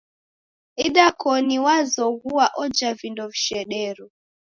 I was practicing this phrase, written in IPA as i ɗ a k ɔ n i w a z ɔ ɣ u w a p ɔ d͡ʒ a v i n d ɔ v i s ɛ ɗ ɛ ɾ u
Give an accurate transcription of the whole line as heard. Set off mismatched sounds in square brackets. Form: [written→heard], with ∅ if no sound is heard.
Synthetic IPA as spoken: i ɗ a k ɔ n i w a z ɔ ɣ u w a [p→ʔ] ɔ d͡ʒ a v i n d ɔ v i [s→ʃ] ɛ ɗ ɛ ɾ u